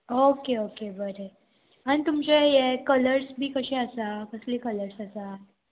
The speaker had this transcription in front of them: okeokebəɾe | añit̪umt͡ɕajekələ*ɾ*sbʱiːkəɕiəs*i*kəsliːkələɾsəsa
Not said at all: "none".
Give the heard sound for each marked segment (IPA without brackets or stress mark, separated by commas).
ɾ, a